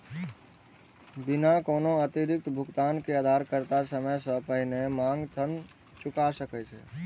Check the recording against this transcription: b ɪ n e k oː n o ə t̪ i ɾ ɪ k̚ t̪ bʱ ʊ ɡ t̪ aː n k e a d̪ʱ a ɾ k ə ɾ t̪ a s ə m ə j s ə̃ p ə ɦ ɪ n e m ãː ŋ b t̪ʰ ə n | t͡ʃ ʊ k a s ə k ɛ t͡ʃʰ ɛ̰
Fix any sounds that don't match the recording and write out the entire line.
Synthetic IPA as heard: b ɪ n a k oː n o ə t̪ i ɾ ɪ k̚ t̪ bʱ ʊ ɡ t̪ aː n k e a d̪ʱ a ɾ k ə ɾ t̪ a s ə m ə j s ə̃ p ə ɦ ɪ n e m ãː ŋ ɡ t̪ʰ ə n | t͡ʃ ʊ k a s ə k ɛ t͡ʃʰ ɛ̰